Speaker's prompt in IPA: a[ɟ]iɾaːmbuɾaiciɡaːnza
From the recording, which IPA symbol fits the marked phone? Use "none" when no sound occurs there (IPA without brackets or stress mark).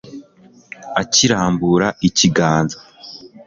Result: c